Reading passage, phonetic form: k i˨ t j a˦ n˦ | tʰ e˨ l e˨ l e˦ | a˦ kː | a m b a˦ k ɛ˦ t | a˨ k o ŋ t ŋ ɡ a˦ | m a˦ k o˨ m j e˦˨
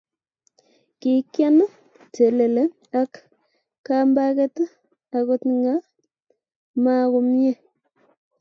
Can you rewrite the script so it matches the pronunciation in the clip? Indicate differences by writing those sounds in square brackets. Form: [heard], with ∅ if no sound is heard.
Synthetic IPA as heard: k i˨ [k] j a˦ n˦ | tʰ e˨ l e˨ l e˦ | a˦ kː | a m b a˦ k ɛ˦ t | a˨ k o [∅] t ŋ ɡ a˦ | m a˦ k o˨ m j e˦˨